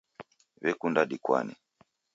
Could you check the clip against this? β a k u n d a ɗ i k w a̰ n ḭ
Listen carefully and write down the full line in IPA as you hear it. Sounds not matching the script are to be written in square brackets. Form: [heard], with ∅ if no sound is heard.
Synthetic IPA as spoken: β [ɛ] k u n d a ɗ i k w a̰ n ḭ